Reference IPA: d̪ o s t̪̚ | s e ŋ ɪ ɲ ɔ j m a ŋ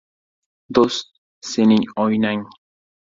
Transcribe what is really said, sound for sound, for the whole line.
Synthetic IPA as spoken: d̪ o s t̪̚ | s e n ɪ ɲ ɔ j n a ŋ